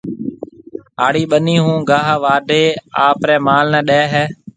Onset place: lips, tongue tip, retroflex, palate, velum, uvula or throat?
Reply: retroflex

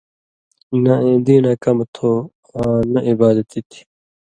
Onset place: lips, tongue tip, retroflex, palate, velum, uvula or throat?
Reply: tongue tip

